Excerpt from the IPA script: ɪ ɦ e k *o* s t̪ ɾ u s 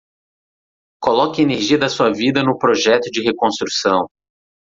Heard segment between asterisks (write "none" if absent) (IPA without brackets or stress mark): õ